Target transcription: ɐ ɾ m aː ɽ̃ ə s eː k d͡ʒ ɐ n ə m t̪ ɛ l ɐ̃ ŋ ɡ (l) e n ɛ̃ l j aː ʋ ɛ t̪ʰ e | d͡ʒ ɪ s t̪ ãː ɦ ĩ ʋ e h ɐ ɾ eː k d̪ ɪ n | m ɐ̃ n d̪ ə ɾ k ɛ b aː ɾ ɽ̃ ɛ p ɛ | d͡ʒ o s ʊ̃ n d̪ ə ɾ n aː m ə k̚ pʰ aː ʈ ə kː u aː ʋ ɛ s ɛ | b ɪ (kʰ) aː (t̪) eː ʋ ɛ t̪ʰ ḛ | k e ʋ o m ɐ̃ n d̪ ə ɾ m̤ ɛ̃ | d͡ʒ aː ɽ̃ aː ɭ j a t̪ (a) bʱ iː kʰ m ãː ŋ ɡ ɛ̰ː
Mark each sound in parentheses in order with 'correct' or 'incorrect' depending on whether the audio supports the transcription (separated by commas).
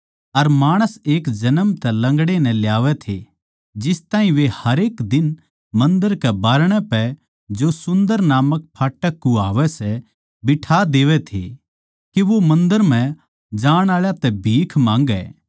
incorrect, incorrect, incorrect, incorrect